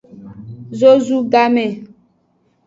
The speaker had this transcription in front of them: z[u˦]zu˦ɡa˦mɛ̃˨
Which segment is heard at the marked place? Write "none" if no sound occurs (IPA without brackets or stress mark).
o˦